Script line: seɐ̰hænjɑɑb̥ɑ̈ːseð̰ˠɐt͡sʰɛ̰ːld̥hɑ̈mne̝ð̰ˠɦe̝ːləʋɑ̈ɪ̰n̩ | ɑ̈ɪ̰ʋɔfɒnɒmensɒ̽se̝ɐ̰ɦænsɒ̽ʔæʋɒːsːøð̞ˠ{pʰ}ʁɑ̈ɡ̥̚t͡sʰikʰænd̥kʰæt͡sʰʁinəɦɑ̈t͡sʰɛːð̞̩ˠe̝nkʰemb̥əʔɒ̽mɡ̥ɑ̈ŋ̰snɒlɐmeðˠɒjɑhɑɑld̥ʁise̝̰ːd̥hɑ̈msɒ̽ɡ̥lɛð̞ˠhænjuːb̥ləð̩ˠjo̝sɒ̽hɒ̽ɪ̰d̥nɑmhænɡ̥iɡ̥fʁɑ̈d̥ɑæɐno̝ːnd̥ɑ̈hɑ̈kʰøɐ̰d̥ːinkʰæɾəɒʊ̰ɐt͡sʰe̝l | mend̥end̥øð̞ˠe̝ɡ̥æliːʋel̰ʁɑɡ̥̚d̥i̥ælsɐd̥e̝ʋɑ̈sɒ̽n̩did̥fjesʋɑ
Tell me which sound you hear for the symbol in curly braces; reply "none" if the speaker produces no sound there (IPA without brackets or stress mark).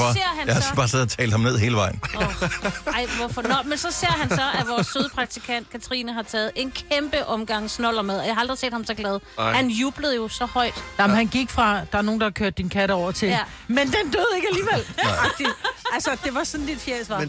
pʰ